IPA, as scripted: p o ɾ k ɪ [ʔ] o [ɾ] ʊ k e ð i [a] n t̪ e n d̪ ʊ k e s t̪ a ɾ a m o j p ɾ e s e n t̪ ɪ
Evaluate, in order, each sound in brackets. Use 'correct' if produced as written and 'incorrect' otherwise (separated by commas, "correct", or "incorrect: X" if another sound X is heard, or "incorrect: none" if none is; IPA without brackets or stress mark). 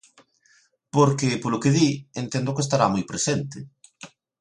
incorrect: p, incorrect: l, incorrect: e